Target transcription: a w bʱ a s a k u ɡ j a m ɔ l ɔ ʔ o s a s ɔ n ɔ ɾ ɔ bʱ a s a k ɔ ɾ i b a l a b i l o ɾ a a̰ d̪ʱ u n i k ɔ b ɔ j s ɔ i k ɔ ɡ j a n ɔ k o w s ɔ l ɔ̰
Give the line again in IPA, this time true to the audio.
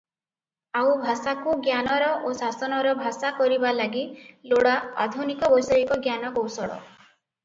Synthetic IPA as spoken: a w bʱ a s a k u ɡ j a n ɔ ɾ ɔ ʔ o s a s ɔ n ɔ ɾ ɔ bʱ a s a k ɔ ɾ i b a l a ɡ i l o ɽ a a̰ d̪ʱ u n i k ɔ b ɔ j s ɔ i k ɔ ɡ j a n ɔ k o w s ɔ ɽ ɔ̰